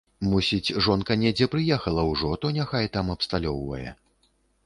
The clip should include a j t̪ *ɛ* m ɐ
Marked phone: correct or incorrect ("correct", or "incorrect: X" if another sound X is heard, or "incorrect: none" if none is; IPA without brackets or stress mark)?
incorrect: a